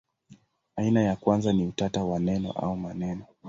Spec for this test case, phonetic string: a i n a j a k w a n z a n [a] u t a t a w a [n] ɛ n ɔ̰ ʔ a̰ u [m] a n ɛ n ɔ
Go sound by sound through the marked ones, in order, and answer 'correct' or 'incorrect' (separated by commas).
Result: incorrect, correct, correct